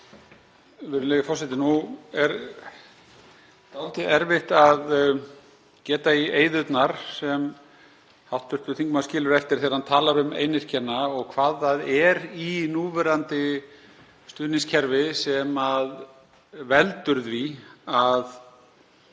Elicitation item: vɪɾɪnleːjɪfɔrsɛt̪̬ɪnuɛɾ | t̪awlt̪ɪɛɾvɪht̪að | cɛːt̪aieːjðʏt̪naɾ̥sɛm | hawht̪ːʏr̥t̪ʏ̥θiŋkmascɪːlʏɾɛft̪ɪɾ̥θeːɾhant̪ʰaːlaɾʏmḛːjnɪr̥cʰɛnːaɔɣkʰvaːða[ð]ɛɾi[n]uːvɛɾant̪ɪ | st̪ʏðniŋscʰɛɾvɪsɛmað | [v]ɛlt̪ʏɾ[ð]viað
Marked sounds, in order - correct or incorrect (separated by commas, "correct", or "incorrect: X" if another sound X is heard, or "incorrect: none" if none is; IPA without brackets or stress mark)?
correct, correct, correct, correct